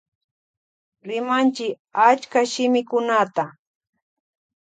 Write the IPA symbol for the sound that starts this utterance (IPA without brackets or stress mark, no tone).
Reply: ɾ